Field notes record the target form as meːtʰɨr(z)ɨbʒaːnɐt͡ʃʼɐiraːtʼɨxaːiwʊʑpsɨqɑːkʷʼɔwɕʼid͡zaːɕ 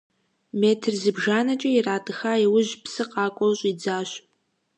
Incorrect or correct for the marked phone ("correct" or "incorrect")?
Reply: correct